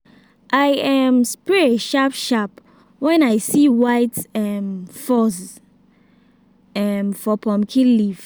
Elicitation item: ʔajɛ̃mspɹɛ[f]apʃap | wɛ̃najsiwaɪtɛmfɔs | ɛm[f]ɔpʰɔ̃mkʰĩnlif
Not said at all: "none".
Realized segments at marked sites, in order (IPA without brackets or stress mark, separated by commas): ʃ, f